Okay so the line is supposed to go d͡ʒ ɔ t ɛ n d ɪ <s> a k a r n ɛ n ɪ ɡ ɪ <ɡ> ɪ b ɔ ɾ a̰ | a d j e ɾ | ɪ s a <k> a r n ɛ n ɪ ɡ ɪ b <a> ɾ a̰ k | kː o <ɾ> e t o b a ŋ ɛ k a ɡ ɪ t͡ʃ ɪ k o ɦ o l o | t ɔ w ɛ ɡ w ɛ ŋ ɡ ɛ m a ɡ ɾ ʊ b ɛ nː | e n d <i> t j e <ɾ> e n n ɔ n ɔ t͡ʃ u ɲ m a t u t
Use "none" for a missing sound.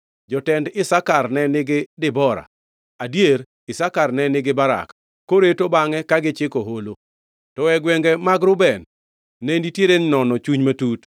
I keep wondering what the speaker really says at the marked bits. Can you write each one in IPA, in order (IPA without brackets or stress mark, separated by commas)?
s, d, k, a, ɾ, i, ɾ